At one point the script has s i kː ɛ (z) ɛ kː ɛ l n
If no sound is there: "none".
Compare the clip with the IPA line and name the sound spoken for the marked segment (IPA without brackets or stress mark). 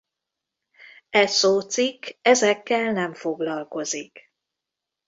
z